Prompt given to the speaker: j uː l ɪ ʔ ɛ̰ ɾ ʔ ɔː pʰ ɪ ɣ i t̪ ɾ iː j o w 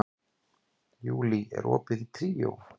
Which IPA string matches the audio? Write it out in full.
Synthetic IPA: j uː l i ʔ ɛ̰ ɾ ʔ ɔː p ɪ ð i t̪ʰ ɾ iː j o w